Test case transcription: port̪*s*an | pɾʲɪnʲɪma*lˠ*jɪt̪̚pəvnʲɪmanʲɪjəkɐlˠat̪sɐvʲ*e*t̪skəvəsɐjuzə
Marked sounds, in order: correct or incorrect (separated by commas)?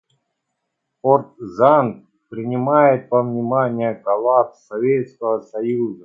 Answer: incorrect, incorrect, correct